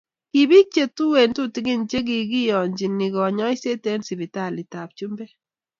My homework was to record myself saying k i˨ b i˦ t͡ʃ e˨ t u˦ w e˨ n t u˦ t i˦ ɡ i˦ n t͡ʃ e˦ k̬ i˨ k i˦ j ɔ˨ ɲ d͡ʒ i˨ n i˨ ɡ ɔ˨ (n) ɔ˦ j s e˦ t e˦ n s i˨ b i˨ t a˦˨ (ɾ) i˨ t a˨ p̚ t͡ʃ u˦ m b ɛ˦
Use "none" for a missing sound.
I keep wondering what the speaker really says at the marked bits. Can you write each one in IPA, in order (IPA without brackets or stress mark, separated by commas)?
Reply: ɲ, l